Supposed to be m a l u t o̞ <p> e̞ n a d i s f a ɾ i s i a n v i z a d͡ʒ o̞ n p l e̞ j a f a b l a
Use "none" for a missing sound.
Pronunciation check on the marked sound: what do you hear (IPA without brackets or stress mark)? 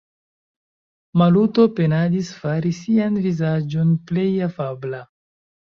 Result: p